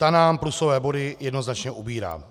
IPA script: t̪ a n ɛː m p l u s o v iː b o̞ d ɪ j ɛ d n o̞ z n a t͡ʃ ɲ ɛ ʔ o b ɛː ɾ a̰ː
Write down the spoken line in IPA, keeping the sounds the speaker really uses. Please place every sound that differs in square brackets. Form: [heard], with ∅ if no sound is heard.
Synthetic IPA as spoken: t̪ a n [aː] m p l u s o v [ɛː] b o̞ d ɪ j ɛ d n o̞ z n a t͡ʃ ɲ ɛ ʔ [u] b [iː] ɾ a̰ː